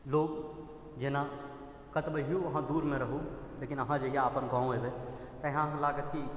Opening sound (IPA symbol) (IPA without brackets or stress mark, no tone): l